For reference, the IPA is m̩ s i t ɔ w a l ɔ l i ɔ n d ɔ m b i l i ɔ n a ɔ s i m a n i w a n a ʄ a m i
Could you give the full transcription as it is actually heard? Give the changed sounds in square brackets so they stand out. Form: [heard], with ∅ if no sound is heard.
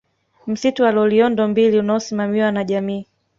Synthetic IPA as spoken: m̩ s i t [u] w a l ɔ l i ɔ n d ɔ m b i l i [u] n a ɔ s i m a [m] i w a n a ʄ a m [iː]